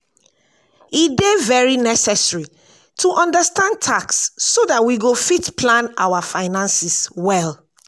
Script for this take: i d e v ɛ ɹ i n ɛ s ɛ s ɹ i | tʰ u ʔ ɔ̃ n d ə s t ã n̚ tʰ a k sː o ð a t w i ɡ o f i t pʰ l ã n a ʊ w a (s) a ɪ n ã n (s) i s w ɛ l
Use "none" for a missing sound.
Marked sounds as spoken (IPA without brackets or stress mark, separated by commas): f, s